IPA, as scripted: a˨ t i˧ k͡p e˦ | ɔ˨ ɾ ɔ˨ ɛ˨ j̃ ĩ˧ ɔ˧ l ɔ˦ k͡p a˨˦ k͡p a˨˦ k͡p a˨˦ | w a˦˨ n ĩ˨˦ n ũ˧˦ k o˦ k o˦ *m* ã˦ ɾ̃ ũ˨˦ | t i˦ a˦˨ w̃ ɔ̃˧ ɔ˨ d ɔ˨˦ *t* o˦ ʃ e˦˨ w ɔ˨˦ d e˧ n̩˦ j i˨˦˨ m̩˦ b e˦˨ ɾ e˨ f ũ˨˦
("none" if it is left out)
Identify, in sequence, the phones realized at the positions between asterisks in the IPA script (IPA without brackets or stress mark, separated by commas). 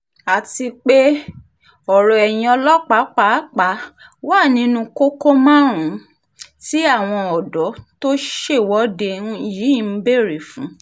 m, t